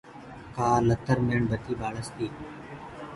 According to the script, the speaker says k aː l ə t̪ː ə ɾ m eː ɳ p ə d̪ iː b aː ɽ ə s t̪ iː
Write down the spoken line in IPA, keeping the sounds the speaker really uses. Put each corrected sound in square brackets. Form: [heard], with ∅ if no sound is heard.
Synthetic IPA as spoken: k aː l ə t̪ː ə ɾ m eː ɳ [b] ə [t̪] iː b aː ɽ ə s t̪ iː